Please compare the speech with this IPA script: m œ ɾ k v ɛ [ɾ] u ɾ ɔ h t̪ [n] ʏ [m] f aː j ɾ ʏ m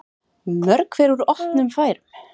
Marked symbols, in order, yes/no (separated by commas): yes, yes, yes